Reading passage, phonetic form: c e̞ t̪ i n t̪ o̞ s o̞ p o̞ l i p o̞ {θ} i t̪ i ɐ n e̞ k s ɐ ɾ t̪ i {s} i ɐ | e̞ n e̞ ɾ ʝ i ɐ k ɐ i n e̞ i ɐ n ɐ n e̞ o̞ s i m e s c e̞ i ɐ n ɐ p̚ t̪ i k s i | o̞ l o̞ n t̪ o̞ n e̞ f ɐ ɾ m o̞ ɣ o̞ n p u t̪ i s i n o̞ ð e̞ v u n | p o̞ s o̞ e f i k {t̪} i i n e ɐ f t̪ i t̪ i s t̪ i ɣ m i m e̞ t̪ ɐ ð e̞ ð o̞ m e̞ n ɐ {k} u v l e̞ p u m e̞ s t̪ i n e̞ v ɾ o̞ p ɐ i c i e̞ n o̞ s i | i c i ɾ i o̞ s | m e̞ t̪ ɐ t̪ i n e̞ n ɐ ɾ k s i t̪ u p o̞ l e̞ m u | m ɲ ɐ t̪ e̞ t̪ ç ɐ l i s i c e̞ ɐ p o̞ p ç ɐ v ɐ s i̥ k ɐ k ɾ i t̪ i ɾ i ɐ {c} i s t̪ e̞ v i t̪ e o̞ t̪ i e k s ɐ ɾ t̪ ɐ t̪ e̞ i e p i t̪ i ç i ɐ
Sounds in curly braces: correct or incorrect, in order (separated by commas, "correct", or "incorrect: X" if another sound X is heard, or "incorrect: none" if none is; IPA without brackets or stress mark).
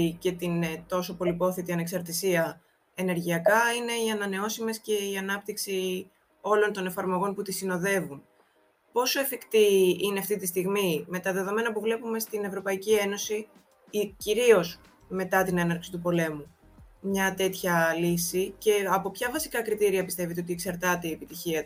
correct, correct, correct, incorrect: p, incorrect: p